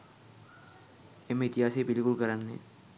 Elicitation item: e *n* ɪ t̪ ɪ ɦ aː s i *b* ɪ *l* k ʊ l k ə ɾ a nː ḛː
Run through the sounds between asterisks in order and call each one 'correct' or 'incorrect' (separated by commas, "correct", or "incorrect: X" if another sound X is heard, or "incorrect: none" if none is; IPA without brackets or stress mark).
incorrect: m, correct, correct